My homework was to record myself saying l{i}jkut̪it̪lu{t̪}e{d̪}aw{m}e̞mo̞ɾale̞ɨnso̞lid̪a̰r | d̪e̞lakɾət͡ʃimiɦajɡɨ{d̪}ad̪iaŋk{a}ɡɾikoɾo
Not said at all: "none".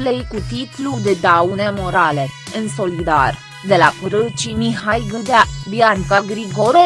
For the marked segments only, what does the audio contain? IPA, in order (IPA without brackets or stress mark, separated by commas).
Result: e, d̪, d̪, n, d̪, a